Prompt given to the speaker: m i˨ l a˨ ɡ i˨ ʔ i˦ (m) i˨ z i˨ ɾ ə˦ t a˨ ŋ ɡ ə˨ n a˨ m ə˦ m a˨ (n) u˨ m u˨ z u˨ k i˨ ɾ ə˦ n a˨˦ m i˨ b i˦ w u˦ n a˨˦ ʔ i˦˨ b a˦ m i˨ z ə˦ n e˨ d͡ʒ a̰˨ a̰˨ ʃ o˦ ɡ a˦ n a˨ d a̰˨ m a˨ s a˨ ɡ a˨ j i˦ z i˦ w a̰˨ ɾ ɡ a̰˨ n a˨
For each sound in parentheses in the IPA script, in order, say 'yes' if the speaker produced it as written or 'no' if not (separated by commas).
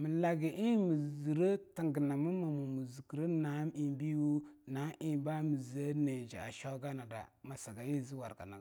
yes, no